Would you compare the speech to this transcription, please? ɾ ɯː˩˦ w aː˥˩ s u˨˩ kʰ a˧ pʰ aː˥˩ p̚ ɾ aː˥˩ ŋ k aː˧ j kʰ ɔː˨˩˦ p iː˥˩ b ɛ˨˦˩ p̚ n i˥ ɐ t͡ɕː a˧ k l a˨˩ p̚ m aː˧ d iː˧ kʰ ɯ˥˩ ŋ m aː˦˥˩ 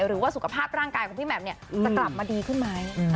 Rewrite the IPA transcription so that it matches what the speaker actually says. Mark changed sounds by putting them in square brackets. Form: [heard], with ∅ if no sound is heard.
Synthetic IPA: ɾ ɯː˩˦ w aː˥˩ s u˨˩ kʰ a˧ pʰ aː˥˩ p̚ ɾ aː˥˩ ŋ k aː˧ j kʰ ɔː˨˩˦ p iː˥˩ [m] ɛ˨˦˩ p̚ n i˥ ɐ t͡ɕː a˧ k l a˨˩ p̚ m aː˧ d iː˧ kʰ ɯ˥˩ [n] m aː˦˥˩